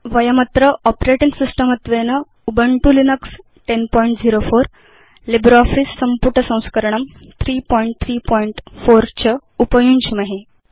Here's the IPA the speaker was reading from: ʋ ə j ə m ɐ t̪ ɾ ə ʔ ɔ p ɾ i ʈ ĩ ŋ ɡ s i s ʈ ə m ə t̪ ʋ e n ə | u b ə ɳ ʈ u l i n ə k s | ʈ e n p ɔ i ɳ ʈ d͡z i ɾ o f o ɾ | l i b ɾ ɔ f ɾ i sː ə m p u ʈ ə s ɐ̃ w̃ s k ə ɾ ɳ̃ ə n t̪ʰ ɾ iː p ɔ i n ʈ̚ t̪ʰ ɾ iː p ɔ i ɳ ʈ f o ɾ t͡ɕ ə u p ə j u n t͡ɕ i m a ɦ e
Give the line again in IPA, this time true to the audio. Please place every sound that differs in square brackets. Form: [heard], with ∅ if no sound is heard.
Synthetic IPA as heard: ʋ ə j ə m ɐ t̪ ɾ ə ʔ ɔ p ɾ [e] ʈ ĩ ŋ ɡ s i s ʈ ə m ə t̪ ʋ e n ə | u b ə ɳ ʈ u l i n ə k s | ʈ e n p ɔ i ɳ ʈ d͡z i ɾ o f o ɾ | l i b ɾ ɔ f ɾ i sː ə m p u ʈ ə s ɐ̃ w̃ s k ə ɾ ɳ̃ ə [m] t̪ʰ ɾ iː p ɔ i [ɳ] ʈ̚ t̪ʰ ɾ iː p ɔ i ɳ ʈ f o ɾ t͡ɕ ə u p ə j u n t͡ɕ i m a ɦ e

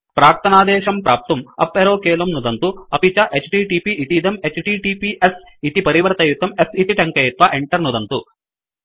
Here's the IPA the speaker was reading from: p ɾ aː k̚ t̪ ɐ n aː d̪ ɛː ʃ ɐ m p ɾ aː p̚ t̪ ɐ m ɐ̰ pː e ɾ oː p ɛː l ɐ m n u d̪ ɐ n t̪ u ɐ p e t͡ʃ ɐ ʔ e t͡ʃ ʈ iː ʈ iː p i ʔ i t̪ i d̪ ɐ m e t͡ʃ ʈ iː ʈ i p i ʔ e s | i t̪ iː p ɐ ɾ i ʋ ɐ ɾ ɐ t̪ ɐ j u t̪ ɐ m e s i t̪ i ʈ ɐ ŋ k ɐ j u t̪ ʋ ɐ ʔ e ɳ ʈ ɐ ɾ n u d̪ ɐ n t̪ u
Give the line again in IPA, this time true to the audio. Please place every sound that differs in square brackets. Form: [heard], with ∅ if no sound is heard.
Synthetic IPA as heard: p ɾ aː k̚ t̪ ɐ n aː d̪ ɛː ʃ ɐ m p ɾ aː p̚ t̪ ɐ m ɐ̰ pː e ɾ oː [k] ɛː l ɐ m n u d̪ ɐ n t̪ u ɐ p [i] t͡ʃ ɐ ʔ e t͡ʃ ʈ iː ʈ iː p i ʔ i t̪ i d̪ ɐ m e t͡ʃ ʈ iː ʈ i p i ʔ e s | i t̪ [i] p ɐ ɾ i ʋ ɐ ɾ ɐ t̪ ɐ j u t̪ ɐ m e s i t̪ i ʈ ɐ ŋ k ɐ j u t̪ ʋ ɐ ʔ e ɳ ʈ ɐ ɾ n u d̪ ɐ n t̪ u

